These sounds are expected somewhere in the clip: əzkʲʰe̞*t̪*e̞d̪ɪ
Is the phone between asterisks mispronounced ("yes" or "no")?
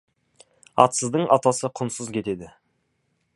no